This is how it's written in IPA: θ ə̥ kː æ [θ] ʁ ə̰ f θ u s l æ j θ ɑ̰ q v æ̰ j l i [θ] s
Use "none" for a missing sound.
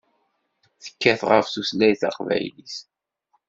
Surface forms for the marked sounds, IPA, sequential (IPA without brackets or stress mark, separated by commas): θ, none